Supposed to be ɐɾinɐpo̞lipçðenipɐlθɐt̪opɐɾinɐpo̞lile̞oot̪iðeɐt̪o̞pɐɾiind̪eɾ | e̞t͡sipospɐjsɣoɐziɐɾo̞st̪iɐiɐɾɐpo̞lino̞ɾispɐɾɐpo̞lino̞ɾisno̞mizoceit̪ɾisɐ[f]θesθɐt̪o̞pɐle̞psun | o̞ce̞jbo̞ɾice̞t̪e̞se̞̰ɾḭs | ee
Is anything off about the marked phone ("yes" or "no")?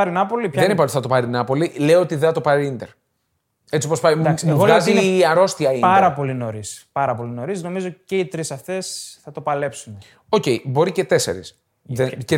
no